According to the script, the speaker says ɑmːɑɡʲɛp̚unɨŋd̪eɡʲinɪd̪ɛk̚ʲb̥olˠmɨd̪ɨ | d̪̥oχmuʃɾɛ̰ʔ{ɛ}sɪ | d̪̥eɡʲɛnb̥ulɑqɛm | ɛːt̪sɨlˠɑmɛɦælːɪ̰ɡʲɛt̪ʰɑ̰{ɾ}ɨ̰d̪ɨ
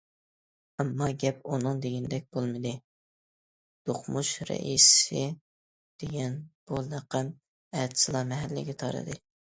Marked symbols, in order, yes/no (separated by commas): no, yes